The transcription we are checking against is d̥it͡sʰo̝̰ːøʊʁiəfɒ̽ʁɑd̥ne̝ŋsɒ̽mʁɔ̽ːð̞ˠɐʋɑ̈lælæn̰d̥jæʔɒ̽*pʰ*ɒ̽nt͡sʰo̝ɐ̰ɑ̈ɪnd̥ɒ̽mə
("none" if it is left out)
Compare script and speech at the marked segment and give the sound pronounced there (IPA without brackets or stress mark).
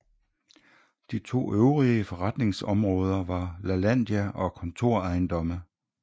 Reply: kʰ